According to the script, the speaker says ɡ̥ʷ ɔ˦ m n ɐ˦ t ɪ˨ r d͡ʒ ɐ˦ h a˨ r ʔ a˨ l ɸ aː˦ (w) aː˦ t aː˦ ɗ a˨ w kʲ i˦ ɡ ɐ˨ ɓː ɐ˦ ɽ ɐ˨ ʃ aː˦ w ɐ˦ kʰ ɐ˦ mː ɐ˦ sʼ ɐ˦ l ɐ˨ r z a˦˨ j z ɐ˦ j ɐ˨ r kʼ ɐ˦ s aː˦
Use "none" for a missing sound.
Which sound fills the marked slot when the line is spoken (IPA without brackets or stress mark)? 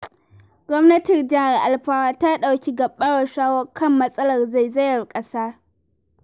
w